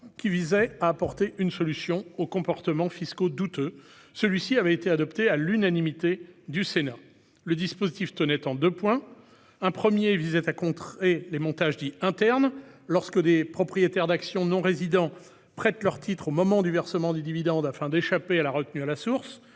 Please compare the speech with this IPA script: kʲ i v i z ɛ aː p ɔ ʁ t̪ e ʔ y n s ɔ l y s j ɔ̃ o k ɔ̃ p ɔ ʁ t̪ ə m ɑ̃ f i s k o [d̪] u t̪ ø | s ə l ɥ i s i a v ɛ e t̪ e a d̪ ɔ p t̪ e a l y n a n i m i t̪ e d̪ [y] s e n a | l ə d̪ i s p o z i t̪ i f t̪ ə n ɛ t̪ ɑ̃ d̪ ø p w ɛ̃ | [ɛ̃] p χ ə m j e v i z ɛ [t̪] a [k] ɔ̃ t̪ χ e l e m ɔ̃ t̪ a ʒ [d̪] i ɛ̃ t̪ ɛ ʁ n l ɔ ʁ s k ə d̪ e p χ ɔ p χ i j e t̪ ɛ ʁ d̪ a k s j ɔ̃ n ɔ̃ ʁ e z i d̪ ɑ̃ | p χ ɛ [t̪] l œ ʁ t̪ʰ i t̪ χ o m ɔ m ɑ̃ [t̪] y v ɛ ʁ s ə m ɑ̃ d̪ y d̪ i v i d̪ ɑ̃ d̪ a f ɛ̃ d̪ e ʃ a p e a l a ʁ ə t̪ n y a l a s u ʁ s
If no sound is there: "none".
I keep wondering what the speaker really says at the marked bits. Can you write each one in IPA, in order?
d̪, y, ɛ̃, t̪, k, d̪, t̪, d̪

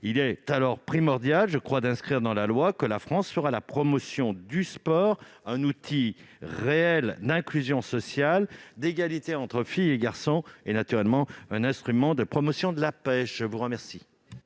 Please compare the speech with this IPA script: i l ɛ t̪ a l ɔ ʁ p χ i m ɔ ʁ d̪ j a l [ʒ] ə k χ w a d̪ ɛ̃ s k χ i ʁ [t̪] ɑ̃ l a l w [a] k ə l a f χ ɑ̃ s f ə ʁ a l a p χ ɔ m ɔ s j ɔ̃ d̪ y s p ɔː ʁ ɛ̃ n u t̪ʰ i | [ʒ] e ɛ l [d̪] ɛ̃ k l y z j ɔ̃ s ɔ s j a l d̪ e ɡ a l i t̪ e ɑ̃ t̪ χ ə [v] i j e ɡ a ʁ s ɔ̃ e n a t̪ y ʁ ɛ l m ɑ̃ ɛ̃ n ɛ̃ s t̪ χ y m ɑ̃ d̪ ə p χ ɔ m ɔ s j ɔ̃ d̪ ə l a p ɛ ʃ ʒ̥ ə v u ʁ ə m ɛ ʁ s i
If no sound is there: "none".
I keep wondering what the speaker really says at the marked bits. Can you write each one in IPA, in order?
ʒ, d̪, a, ʁ, d̪, f

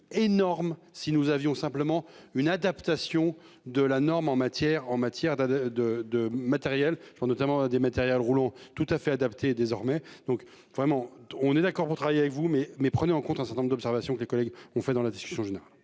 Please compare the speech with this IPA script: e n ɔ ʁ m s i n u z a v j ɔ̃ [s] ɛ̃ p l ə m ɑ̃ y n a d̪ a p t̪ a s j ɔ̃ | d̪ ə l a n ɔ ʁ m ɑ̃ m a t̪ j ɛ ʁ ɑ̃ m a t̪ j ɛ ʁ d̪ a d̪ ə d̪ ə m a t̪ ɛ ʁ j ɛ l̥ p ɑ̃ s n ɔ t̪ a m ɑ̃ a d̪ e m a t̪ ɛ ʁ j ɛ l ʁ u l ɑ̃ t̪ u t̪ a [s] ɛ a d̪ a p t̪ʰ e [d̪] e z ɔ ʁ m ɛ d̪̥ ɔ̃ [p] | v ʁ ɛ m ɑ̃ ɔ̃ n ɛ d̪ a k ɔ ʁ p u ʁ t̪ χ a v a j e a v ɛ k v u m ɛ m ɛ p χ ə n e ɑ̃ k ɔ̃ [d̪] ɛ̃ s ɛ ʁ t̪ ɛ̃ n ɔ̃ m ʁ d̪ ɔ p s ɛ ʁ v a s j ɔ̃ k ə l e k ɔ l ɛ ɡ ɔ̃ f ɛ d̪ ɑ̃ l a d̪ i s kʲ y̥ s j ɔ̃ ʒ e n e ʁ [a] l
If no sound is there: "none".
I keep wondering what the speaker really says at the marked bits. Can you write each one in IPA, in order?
s, f, d̪, k, t̪, a

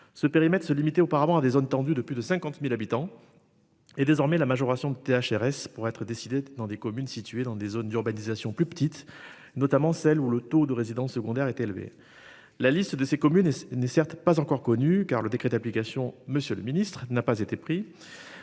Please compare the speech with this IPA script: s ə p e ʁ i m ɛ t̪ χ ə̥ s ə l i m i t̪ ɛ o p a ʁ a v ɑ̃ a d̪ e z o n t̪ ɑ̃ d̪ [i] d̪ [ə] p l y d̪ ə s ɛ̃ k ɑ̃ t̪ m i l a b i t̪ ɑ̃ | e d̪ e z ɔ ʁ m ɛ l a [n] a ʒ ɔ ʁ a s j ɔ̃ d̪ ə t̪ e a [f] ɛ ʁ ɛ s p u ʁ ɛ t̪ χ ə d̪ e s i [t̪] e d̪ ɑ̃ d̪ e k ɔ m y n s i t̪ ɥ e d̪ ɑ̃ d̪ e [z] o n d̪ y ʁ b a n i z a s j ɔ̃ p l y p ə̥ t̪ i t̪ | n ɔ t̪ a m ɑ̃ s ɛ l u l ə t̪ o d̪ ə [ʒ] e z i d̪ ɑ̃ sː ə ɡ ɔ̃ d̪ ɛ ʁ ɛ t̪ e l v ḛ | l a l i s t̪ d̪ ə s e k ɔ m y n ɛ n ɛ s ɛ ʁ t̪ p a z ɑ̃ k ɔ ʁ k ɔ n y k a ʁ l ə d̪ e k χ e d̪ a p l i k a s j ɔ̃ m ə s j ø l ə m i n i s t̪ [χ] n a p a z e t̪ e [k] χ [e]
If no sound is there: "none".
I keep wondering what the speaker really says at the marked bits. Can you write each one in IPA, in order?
y, ə, m, ʃ, d̪, z, ʁ, χ, p, i

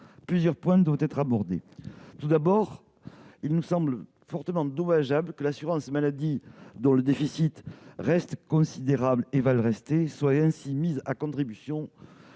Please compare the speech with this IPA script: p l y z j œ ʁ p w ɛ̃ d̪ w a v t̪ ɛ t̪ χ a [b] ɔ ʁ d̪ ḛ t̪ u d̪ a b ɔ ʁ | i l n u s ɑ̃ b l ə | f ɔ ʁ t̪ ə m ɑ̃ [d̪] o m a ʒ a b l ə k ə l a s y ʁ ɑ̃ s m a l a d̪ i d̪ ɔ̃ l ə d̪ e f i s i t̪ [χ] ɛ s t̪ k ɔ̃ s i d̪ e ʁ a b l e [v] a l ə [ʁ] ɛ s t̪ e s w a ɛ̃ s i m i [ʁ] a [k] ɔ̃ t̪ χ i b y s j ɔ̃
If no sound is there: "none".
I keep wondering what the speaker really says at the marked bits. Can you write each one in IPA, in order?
b, d̪, ʁ, v, ʁ, z, k

